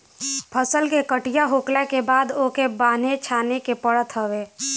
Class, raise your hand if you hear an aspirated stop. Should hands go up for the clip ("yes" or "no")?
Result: yes